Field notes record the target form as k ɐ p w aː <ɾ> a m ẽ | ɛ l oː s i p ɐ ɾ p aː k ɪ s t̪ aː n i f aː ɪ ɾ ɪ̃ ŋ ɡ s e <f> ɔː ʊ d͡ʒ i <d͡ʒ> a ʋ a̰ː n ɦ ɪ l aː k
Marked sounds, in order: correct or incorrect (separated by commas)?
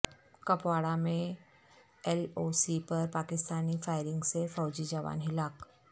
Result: incorrect, correct, correct